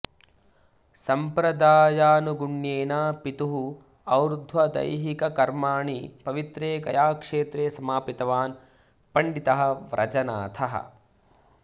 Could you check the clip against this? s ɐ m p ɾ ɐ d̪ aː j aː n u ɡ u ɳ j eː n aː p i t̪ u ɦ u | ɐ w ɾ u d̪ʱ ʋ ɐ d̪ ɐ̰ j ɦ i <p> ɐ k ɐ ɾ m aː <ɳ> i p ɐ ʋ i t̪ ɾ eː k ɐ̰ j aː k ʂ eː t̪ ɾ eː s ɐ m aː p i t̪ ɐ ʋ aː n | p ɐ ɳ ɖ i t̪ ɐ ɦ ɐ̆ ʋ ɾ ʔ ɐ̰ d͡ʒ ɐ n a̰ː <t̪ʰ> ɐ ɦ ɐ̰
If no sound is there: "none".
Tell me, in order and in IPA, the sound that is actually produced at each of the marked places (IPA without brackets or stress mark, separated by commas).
k, ɳ, t̪ʰ